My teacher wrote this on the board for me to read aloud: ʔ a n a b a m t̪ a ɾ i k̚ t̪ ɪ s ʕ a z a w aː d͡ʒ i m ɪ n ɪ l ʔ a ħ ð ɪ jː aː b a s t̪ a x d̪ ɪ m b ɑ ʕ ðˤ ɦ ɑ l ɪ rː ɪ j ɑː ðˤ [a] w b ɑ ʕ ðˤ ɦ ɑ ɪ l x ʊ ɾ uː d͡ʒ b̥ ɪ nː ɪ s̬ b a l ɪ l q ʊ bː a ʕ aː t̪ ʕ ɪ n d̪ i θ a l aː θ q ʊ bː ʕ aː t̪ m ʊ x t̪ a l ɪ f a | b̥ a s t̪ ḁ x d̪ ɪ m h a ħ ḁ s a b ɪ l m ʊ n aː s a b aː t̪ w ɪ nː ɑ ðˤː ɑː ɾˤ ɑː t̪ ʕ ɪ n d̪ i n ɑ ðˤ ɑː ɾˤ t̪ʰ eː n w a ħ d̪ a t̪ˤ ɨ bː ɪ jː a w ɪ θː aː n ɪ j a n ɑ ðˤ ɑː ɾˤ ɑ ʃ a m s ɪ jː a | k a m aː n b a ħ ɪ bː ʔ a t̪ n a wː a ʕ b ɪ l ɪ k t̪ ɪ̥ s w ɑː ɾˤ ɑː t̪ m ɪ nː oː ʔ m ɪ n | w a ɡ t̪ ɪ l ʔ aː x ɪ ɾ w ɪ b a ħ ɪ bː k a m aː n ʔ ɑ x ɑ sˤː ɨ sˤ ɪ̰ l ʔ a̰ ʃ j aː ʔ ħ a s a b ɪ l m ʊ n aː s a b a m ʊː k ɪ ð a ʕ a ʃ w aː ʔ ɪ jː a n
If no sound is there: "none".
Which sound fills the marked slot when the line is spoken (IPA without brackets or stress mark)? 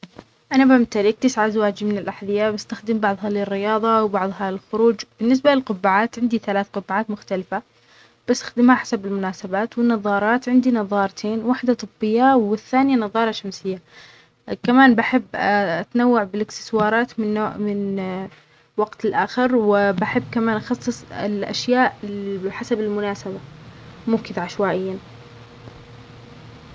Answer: ɑ